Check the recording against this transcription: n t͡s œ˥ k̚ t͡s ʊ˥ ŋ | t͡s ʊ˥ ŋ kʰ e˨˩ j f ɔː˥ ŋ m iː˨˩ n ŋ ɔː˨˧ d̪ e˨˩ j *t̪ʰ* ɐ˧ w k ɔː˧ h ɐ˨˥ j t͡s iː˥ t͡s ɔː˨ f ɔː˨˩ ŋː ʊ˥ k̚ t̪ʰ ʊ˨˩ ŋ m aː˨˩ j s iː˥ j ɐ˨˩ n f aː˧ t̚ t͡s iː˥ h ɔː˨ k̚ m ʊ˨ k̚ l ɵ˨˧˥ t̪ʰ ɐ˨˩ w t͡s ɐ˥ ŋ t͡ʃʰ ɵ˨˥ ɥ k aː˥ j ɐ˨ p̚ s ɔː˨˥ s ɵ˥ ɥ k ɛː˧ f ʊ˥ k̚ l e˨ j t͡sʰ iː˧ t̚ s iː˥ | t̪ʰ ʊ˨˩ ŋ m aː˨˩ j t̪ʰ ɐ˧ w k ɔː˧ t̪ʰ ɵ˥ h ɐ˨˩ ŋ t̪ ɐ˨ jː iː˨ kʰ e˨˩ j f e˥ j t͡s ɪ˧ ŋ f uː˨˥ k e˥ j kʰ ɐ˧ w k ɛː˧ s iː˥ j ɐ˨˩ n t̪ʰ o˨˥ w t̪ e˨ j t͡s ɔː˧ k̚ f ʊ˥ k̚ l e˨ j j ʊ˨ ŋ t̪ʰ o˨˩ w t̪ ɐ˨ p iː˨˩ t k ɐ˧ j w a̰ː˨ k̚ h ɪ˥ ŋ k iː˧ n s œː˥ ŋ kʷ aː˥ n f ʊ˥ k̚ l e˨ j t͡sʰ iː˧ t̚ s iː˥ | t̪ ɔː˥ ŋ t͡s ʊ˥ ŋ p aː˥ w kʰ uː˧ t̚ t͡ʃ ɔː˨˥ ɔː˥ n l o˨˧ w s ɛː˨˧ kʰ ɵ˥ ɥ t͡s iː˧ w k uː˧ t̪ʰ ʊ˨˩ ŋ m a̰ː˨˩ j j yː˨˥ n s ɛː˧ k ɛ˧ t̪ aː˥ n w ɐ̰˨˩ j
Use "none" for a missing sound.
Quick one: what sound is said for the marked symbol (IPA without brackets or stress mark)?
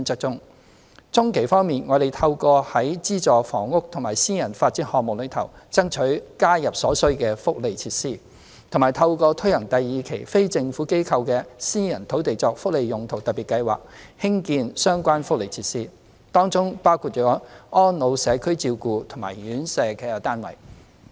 t̪ʰ